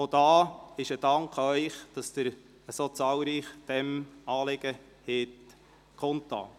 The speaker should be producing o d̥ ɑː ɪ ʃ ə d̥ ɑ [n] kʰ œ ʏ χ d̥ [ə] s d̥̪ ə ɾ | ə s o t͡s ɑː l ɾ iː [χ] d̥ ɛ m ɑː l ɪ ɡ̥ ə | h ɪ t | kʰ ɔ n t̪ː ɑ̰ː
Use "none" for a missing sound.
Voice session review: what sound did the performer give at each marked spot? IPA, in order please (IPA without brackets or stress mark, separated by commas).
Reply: ŋ, ɑ, χ